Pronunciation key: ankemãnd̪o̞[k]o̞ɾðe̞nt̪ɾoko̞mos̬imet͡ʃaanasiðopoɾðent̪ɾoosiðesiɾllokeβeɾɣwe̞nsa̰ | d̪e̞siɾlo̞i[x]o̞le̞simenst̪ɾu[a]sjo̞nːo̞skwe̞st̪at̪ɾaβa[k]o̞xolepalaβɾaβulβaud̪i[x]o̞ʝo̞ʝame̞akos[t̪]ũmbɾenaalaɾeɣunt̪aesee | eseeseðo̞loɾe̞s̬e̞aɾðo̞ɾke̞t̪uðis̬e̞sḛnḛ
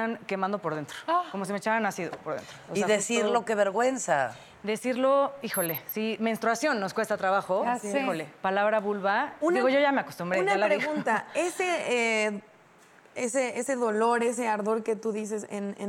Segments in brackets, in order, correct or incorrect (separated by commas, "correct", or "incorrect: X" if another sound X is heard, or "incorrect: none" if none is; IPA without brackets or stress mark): incorrect: p, correct, correct, incorrect: x, incorrect: ɣ, correct